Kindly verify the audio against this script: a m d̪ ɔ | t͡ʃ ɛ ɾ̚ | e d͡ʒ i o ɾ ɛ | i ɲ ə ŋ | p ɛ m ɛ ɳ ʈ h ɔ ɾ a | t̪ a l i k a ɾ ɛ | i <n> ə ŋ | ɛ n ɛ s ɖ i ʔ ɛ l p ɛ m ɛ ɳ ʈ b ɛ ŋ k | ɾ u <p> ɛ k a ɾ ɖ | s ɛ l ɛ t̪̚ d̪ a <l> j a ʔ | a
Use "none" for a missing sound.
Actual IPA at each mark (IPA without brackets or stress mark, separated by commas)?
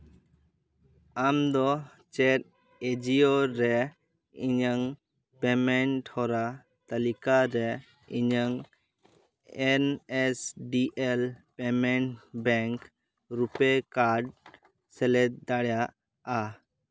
ɲ, p, ɽ